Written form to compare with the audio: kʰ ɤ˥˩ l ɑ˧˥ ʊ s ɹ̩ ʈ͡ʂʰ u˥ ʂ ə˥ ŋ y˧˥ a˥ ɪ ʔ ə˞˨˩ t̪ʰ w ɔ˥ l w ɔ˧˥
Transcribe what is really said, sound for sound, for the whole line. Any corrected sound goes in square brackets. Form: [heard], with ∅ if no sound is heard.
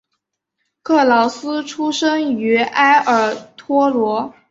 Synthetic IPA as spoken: kʰ ɤ˥˩ l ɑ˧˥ ʊ s ɹ̩ ʈ͡ʂʰ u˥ ʂ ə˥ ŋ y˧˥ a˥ ɪ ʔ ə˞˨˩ t̪ʰ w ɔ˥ l w ɔ˧˥